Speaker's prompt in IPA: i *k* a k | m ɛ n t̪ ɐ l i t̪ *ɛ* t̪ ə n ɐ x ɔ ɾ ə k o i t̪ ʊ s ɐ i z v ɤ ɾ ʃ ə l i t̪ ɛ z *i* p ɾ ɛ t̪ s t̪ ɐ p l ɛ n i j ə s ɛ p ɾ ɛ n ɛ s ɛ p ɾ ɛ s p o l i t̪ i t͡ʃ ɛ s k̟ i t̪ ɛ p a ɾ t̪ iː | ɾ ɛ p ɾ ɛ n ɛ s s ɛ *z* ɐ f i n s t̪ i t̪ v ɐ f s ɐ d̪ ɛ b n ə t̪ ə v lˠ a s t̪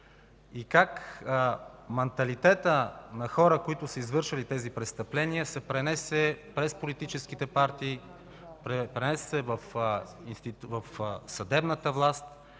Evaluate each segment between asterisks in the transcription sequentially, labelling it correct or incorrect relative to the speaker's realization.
correct, correct, correct, incorrect: v

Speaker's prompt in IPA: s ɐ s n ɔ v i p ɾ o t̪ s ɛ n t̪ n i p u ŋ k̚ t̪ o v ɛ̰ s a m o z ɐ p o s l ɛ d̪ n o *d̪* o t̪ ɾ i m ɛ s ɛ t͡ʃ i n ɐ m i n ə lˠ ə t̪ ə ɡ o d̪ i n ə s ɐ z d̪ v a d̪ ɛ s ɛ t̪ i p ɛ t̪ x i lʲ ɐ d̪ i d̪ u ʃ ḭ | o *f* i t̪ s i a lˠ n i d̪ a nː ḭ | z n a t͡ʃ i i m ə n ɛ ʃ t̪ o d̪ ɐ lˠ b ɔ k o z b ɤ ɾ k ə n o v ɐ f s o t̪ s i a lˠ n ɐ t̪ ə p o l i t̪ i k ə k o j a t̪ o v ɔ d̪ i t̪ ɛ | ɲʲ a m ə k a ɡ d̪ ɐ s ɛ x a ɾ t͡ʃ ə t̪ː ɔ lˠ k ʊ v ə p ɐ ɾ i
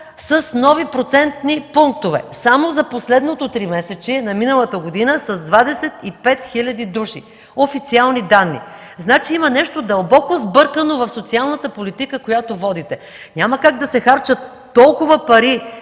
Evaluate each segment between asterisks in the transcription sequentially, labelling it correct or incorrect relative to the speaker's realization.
incorrect: t̪, correct

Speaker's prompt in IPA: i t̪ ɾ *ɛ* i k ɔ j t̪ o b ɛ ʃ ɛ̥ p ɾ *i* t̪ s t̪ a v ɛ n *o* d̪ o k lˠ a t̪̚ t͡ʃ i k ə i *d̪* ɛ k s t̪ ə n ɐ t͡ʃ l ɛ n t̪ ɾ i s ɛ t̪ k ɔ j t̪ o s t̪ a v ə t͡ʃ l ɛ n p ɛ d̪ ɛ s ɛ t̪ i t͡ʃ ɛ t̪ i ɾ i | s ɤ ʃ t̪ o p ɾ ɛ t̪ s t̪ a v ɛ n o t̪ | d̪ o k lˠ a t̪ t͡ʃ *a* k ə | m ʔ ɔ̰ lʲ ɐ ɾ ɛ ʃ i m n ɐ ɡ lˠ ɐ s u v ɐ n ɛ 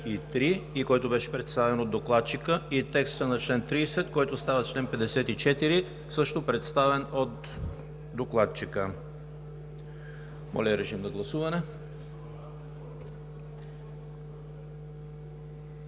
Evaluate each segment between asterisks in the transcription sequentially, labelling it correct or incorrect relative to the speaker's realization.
incorrect: i, incorrect: ɛ, correct, incorrect: t̪, incorrect: i

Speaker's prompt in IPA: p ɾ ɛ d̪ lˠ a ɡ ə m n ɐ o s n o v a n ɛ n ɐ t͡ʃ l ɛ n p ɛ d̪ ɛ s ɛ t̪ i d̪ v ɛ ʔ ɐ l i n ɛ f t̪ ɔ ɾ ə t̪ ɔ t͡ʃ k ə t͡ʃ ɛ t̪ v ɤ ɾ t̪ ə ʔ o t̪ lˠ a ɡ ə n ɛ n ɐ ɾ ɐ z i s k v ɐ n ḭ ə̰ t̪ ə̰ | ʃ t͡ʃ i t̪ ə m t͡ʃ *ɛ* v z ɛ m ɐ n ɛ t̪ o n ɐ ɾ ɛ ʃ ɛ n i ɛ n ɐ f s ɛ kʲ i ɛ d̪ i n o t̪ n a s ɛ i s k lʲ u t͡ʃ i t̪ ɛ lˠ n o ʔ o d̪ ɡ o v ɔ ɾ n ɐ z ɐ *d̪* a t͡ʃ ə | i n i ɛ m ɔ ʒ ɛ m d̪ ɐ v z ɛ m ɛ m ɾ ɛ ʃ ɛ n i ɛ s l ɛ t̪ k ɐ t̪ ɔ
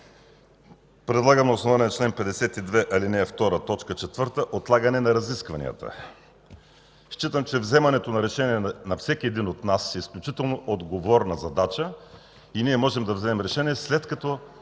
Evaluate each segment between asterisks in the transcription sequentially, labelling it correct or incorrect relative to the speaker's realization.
correct, correct

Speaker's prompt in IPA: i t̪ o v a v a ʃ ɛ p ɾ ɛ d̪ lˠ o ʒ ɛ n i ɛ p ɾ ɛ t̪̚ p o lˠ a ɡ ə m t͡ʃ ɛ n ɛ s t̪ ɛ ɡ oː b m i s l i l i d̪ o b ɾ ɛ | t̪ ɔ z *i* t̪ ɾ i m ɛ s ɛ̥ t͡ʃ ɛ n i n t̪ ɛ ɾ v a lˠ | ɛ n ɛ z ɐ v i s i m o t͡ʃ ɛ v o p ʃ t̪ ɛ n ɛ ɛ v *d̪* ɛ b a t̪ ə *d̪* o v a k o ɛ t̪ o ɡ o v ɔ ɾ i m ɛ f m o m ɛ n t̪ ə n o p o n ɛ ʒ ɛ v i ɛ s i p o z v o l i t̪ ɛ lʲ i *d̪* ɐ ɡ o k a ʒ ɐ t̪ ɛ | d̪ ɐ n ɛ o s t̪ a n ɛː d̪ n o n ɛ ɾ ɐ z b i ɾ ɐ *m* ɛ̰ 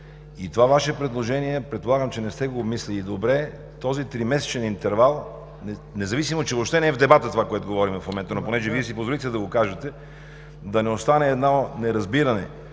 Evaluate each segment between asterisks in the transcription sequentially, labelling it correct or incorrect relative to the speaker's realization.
correct, correct, incorrect: t̪, correct, incorrect: n

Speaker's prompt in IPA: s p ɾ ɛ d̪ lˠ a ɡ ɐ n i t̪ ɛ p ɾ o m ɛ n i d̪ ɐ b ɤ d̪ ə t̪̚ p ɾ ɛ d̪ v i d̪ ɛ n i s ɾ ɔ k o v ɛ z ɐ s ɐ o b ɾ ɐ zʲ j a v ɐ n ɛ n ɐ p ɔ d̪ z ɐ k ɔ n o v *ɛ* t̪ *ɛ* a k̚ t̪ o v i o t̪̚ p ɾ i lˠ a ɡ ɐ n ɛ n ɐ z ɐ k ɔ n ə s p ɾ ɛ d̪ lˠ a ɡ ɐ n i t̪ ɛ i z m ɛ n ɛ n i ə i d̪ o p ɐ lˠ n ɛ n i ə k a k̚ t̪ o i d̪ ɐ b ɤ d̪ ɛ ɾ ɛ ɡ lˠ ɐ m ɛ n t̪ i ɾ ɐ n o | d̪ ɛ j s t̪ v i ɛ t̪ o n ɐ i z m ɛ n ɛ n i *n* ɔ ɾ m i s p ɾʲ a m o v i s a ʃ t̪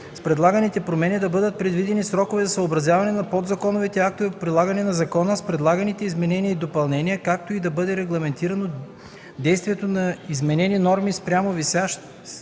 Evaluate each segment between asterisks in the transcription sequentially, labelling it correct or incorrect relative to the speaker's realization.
incorrect: i, correct, correct

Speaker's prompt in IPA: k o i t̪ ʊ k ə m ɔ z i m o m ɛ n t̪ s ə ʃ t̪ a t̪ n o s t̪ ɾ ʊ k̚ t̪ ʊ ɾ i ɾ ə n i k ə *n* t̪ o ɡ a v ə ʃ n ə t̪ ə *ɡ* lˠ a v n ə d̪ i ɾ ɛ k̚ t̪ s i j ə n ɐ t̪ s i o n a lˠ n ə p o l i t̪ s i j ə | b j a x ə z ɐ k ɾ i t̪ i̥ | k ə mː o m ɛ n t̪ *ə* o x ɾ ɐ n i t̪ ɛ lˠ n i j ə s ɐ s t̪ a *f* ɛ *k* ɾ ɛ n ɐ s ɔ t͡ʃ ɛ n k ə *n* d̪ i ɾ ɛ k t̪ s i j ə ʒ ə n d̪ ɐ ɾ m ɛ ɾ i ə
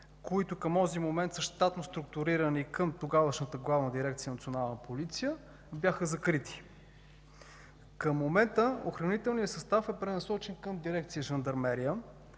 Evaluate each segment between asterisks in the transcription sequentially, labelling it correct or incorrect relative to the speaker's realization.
incorrect: m, correct, correct, correct, incorrect: p, incorrect: m

